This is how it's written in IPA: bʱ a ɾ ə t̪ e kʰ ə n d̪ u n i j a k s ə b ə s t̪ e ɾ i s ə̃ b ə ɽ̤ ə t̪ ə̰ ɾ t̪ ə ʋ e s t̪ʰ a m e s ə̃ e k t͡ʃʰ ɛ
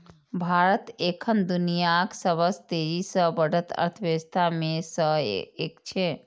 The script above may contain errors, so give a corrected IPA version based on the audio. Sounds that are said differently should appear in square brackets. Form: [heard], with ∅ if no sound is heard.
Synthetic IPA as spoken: bʱ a ɾ ə t̪ e kʰ ə n d̪ u n i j a k s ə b ə s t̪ e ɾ i s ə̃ b ə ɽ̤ ə t̪ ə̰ ɾ [t̪ʰ] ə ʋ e s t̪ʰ a m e s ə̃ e k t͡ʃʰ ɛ